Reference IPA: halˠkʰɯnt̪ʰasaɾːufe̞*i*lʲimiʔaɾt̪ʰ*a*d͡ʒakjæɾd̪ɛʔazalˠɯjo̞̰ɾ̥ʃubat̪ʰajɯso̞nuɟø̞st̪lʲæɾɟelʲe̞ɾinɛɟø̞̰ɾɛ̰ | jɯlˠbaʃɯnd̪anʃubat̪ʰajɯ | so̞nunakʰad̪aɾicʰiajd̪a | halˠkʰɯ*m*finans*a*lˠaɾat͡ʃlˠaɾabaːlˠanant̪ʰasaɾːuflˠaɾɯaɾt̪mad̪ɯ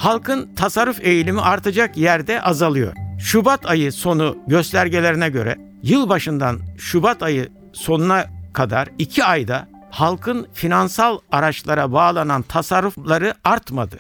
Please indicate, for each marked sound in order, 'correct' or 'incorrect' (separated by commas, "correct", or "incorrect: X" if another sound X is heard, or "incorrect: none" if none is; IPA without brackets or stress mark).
incorrect: j, correct, incorrect: n, correct